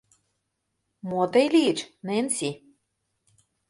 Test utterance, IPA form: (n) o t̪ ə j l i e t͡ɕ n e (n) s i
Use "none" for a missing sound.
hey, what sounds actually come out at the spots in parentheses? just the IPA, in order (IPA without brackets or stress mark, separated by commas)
m, n